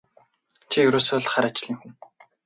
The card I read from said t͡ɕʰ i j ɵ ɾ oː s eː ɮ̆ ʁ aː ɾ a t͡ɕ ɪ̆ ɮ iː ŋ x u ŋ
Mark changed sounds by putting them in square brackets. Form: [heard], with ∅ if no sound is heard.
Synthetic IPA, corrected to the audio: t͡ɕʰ i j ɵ ɾ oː s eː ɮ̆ [χ] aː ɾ a t͡ɕ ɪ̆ ɮ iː ŋ x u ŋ